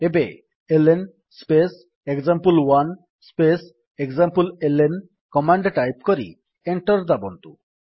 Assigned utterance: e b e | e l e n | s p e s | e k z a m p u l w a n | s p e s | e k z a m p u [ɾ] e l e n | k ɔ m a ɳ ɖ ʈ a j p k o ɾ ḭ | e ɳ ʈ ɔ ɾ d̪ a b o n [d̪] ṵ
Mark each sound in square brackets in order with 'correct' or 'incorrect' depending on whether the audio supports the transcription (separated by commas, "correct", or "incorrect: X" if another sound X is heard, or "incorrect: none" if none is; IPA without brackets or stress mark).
incorrect: l, incorrect: t̪